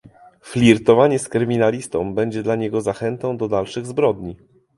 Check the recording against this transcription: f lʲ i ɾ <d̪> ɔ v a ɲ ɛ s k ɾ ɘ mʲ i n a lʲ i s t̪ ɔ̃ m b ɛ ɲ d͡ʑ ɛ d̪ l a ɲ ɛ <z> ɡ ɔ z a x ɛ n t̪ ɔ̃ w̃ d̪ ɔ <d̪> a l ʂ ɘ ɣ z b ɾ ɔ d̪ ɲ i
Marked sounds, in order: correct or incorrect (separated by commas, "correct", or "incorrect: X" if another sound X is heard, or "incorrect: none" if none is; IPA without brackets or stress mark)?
incorrect: t̪, incorrect: none, correct